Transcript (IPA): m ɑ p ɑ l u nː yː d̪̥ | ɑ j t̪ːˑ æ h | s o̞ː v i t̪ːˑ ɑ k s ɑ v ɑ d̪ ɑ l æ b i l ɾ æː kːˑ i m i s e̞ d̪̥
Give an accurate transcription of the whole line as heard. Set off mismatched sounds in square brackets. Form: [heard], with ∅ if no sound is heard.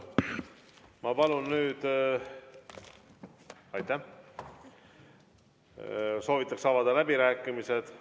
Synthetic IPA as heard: m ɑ p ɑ l u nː yː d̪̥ | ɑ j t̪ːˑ æ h | s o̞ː v i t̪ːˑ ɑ k s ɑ v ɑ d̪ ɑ l æ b i [∅] ɾ æː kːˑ i m i s e̞ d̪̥